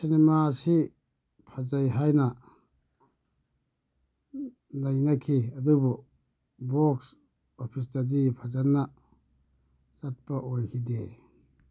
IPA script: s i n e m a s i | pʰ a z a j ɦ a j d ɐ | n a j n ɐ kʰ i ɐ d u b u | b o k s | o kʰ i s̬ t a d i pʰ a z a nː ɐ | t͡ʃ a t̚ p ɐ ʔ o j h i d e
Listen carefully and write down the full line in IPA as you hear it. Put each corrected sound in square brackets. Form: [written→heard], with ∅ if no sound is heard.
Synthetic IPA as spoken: s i n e m a s i | pʰ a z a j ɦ a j [d→n] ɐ | n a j n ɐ kʰ i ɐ d u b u | b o k s | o [kʰ→pʰ] i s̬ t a d i pʰ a z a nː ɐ | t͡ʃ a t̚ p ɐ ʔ o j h i d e